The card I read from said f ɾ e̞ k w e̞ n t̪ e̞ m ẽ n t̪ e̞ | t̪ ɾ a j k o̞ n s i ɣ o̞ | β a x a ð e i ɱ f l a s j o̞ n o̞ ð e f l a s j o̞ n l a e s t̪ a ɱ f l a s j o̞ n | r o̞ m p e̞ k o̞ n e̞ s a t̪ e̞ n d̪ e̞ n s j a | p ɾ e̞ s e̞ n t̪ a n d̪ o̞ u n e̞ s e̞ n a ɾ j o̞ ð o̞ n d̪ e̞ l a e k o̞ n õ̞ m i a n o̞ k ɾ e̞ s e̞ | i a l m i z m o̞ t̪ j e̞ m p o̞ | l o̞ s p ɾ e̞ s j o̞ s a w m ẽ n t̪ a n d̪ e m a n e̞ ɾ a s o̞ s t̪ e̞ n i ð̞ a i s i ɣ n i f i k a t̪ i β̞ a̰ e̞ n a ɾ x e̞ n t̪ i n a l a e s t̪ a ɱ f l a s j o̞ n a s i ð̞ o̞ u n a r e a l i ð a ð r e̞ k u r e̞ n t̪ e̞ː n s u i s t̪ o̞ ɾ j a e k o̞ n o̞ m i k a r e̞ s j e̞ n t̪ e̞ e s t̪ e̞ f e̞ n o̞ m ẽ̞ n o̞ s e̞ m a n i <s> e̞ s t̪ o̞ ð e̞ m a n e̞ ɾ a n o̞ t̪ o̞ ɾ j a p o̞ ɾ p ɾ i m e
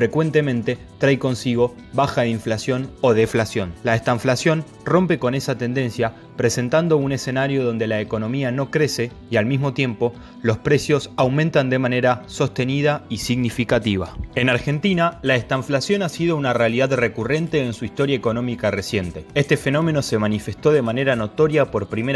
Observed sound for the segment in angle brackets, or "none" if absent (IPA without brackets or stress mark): f